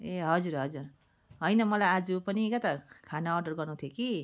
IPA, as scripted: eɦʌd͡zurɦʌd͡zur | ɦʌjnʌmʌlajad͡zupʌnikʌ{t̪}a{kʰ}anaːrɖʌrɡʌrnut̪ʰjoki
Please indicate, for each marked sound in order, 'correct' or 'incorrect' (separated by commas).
correct, correct